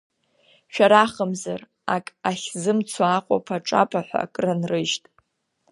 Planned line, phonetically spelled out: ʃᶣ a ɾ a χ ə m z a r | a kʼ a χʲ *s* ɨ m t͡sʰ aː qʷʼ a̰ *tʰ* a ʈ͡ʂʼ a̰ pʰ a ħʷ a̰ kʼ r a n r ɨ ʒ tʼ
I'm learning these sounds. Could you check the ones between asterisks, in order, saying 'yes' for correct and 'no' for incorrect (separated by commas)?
no, no